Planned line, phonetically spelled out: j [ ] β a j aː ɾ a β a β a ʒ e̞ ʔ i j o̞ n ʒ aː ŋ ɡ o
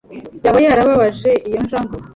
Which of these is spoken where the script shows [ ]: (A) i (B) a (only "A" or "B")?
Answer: B